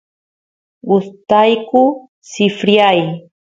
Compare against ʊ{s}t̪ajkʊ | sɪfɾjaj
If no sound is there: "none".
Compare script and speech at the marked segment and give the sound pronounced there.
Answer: s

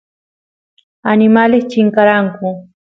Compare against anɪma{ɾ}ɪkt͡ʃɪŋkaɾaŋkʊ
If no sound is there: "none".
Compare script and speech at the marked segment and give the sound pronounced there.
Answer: l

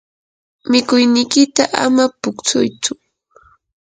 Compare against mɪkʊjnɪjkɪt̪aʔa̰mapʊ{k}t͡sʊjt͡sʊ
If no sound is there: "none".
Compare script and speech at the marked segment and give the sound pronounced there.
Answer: k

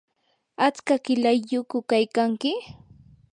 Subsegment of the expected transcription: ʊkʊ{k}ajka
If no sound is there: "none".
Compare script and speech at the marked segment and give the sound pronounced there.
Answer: k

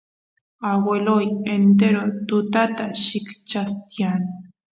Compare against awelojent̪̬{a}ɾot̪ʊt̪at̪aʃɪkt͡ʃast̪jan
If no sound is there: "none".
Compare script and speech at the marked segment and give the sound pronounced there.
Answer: e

